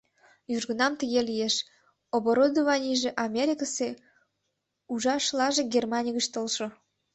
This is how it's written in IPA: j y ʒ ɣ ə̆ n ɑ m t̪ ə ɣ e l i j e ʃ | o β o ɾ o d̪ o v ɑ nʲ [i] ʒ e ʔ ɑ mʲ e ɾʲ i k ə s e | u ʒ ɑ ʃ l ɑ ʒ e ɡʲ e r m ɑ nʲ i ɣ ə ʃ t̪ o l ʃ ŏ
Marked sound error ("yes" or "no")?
no